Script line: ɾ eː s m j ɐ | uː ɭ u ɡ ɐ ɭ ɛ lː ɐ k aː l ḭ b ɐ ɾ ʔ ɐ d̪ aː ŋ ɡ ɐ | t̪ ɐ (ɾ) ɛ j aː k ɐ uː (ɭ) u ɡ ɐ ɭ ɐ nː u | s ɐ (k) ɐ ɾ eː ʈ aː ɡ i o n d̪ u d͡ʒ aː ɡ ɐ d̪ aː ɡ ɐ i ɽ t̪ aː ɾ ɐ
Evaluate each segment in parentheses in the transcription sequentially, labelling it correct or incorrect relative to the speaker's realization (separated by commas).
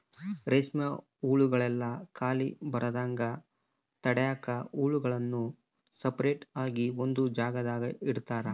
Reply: incorrect, correct, incorrect